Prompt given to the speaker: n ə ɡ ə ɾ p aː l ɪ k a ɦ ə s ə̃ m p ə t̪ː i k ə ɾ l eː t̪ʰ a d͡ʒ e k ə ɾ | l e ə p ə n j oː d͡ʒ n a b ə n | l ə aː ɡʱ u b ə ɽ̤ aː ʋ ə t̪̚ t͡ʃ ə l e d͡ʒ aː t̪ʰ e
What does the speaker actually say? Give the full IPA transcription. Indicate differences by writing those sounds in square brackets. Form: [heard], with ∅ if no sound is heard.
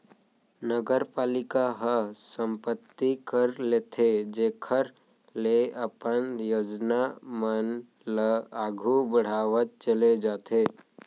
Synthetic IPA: n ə ɡ ə ɾ p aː l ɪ k a ɦ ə s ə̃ m p ə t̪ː i k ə ɾ l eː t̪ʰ [e] d͡ʒ e [kʰ] ə ɾ | l e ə p ə n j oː d͡ʒ n a [m] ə n | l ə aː ɡʱ u b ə ɽ̤ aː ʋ ə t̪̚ t͡ʃ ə l e d͡ʒ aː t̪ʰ e